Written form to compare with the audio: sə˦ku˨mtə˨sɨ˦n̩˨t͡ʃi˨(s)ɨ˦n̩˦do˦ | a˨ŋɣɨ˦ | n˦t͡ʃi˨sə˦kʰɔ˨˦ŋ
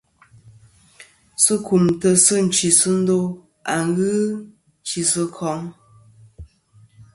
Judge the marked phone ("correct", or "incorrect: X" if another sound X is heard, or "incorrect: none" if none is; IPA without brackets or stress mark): correct